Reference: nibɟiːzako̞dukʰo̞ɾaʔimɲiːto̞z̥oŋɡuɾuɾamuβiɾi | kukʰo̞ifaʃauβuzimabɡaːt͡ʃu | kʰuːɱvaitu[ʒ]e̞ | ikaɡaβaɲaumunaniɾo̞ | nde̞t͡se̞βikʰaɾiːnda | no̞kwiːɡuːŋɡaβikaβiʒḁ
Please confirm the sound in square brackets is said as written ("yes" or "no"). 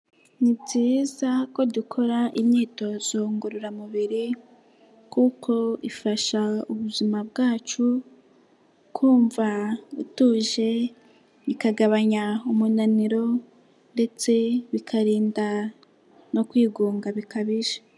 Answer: yes